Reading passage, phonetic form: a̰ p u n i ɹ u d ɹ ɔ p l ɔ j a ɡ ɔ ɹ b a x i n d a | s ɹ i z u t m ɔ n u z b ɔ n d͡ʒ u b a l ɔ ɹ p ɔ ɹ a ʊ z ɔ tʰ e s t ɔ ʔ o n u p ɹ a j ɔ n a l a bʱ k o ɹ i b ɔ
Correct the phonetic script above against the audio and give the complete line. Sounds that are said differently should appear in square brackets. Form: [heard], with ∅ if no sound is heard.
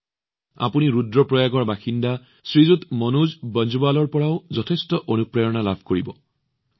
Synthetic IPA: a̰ p u n i ɹ u d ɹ ɔ p [ɹ] ɔ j a ɡ ɔ ɹ b a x i n d a | s ɹ i z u t m ɔ n u z b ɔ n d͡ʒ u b a l ɔ ɹ p ɔ ɹ a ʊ z ɔ tʰ e s t ɔ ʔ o n u p ɹ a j ɔ n a l a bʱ k o ɹ i b ɔ

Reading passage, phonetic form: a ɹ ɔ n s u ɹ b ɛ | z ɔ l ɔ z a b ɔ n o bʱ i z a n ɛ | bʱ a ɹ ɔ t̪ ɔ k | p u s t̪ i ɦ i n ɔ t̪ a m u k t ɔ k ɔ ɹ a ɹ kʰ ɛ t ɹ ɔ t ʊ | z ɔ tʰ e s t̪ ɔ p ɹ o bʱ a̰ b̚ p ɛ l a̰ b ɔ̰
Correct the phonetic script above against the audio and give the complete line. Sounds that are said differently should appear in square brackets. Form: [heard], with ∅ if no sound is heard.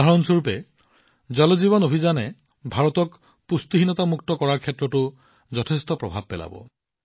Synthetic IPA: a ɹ ɔ n s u ɹ [p] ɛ | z ɔ l ɔ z [i] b ɔ n o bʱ i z a n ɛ | bʱ a ɹ ɔ t̪ ɔ k | p u s t̪ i ɦ i n ɔ t̪ a m u k t ɔ k ɔ ɹ a ɹ kʰ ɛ t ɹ ɔ t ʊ | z ɔ tʰ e s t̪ ɔ p ɹ [ɔ] bʱ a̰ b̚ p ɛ l a̰ b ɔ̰

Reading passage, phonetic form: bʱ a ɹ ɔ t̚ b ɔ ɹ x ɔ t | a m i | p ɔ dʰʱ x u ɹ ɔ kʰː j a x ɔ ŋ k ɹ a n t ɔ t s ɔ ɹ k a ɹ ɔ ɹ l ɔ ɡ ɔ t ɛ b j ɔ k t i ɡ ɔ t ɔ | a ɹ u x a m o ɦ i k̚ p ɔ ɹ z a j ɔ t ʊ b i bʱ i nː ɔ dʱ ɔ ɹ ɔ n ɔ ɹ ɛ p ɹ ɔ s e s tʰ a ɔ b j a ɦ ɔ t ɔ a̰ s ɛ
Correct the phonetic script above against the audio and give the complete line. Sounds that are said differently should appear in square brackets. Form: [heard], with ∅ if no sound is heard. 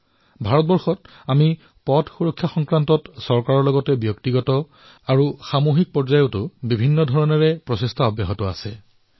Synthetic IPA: bʱ a ɹ ɔ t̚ b ɔ ɹ x ɔ t | a m i | p ɔ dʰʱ x u ɹ ɔ kʰː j a x ɔ ŋ k ɹ a n t ɔ t s ɔ ɹ k a ɹ ɔ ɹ l ɔ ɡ ɔ t ɛ b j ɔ k t i ɡ ɔ t ɔ | a ɹ u x a m o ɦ i k̚ p ɔ ɹ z a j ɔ t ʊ b i bʱ i nː ɔ dʱ ɔ ɹ ɔ n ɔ ɹ ɛ p ɹ ɔ s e s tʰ a ɔ b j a ɦ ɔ t ɔ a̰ s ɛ

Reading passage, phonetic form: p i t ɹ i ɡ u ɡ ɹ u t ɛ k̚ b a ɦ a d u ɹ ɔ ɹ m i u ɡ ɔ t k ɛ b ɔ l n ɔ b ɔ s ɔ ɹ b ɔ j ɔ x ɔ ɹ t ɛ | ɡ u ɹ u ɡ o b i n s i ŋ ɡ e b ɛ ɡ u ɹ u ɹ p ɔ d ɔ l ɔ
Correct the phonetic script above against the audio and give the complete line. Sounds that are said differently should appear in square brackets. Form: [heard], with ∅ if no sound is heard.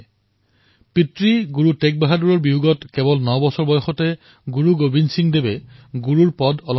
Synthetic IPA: p i t ɹ i ɡ u [∅] ɹ u t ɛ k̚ b a ɦ a d u ɹ ɔ ɹ [b] i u ɡ ɔ t k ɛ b ɔ l n ɔ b ɔ s ɔ ɹ b ɔ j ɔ x ɔ [∅] t ɛ | ɡ u ɹ u ɡ o b i n s i ŋ [d] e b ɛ ɡ u ɹ u ɹ p ɔ d ɔ l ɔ

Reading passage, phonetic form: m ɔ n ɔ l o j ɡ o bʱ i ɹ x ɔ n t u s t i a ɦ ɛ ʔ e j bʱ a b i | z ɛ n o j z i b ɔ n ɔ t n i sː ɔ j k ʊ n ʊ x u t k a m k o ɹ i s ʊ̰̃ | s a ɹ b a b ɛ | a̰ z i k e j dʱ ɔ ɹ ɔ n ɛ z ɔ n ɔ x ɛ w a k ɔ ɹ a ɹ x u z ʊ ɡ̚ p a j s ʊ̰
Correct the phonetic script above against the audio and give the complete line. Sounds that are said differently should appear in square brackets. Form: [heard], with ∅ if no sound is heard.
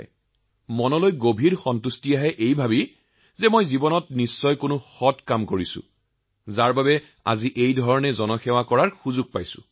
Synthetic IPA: m ɔ n ɔ l o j ɡ o bʱ i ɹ x ɔ n t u s t i a ɦ ɛ ʔ e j bʱ a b i | z ɛ [m] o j z i b ɔ n ɔ t n i sː ɔ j k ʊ n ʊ x [ɔ] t k a m k o ɹ i s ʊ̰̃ | [z] a ɹ b a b ɛ | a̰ z i [ʔ] e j dʱ ɔ ɹ ɔ n ɛ z ɔ n ɔ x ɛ w a k ɔ ɹ a ɹ x u z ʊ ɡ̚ p a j s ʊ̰

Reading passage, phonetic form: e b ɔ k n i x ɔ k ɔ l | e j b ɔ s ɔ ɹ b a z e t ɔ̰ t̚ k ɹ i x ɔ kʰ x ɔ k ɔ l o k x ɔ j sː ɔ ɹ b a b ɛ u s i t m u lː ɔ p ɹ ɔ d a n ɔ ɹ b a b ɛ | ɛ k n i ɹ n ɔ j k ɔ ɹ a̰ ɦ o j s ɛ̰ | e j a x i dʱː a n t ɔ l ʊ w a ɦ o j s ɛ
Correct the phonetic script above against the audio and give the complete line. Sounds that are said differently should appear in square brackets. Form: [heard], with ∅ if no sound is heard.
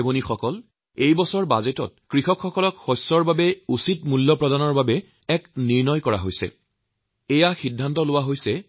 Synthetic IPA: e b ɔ [∅] n i x ɔ k ɔ l | e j b ɔ s ɔ ɹ b a z e t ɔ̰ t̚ k ɹ i x ɔ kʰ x ɔ k ɔ l [ɔ] k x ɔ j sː ɔ ɹ b a b ɛ u s i t m u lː ɔ p ɹ ɔ d a n ɔ ɹ b a b ɛ | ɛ k n i ɹ n ɔ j k ɔ ɹ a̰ ɦ o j s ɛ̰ | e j a x i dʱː a n t ɔ l ʊ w a ɦ o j s ɛ

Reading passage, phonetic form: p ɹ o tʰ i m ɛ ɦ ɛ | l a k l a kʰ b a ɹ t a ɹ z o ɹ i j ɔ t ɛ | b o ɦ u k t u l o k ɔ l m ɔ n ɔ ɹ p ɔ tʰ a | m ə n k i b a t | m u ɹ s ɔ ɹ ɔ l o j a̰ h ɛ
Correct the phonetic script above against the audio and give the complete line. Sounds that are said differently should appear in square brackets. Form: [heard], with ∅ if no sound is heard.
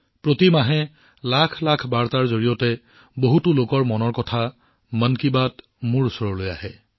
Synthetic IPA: p ɹ o [t] i m [a] ɦ ɛ | l a [kʰ] l a kʰ b a ɹ t a ɹ z o ɹ i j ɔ t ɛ | b o ɦ u [∅] t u l o k ɔ [ɹ] m ɔ n ɔ ɹ [k] ɔ tʰ a | m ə n k i b a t | m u ɹ s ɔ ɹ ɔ l o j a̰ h ɛ

